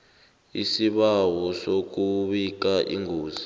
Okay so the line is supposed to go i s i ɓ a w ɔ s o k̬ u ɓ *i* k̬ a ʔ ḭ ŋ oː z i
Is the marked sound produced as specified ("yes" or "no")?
yes